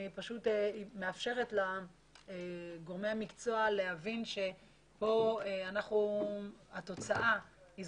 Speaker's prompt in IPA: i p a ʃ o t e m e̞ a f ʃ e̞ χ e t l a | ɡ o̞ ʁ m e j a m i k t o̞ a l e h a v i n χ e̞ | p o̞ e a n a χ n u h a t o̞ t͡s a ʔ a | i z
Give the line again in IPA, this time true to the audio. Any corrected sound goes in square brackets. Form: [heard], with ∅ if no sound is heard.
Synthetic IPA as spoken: i p a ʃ [u] t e m e̞ a f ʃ e̞ [ʁ] e t l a | ɡ o̞ ʁ m e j a m i k [t͡s] o̞ a l e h a v i n [ʃ] e̞ | p o̞ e a n a χ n u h a t o̞ t͡s a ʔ a | i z